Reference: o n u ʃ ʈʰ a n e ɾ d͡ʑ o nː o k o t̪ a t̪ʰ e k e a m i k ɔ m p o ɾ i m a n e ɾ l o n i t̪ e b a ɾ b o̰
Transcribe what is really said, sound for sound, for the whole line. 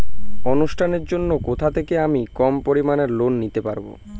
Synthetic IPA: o n u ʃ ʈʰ a n e ɾ d͡ʑ o nː o k o t̪ʰ a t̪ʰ e k e a m i k ɔ m p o ɾ i m a n e ɾ l o nː i t̪ e p a ɾ b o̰